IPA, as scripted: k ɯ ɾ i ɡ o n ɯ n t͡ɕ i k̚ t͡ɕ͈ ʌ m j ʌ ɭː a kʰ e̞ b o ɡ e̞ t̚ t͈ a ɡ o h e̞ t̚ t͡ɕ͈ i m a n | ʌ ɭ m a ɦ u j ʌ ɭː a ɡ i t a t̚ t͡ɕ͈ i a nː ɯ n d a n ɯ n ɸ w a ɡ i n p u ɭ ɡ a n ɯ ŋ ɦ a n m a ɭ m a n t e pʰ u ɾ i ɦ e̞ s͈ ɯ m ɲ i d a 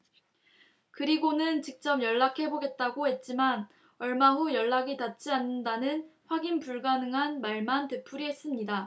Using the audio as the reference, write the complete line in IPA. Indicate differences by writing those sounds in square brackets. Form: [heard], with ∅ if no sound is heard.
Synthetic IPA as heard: k ɯ ɾ i ɡ o n ɯ n t͡ɕ i k̚ t͡ɕ͈ ʌ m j ʌ ɭː a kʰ e̞ b o ɡ e̞ t̚ t͈ a ɡ o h e̞ t̚ t͡ɕ͈ i m a n | ʌ ɭ m a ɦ u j ʌ ɭː a ɡ i t a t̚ t͡ɕ͈ i a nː ɯ n d a n ɯ n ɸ w a ɡ i n p u ɭ ɡ a n ɯ ŋ ɦ a n m a ɭ m a n t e pʰ u ɾ i ɦ e̞ s͈ ɯ m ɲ i d a